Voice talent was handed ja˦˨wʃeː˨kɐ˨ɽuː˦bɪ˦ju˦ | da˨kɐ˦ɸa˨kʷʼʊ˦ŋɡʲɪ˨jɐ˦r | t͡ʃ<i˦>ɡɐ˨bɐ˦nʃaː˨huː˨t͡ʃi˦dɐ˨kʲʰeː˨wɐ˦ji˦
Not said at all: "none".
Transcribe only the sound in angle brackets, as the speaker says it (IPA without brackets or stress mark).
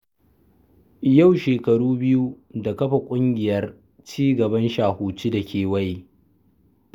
iː˦